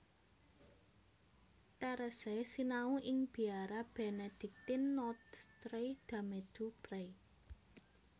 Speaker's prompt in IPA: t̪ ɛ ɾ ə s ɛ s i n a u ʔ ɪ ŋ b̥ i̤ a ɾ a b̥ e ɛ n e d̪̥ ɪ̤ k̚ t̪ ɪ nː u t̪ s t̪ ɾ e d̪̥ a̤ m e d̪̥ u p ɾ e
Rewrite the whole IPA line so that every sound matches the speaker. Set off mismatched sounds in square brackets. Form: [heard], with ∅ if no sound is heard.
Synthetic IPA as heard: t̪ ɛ ɾ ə s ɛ s i n a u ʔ ɪ ŋ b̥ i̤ a ɾ a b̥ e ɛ n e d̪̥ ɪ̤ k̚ t̪ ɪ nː [ɔ] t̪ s t̪ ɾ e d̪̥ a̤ m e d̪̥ u p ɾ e